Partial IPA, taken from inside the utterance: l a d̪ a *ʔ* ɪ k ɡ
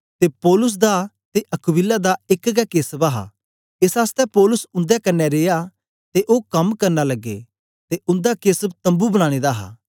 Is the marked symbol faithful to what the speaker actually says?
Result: no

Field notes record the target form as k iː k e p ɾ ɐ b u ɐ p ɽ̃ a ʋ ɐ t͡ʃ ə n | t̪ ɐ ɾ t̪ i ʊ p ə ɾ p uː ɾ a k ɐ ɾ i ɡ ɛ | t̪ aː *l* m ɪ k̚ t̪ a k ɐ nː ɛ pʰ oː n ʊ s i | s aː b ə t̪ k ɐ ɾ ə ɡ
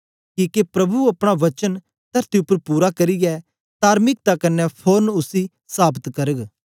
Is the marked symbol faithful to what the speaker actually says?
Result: no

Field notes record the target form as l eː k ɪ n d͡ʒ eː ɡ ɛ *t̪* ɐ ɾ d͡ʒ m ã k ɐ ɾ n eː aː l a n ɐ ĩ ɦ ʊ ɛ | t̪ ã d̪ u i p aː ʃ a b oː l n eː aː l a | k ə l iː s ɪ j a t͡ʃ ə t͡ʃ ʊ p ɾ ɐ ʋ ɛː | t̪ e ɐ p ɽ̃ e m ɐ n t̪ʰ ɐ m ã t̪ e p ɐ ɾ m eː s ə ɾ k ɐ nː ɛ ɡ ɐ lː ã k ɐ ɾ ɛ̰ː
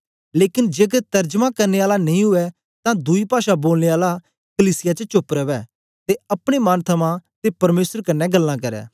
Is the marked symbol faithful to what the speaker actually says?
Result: yes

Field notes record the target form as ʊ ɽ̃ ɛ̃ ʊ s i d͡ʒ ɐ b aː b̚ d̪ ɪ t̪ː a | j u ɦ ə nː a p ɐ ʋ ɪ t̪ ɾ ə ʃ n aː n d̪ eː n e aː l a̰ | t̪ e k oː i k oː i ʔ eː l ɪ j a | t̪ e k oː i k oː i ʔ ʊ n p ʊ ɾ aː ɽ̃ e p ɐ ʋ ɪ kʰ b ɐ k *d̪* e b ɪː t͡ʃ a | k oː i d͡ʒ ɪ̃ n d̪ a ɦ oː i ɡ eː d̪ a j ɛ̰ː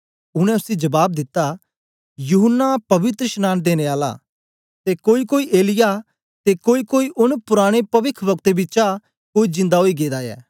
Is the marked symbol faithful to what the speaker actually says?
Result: no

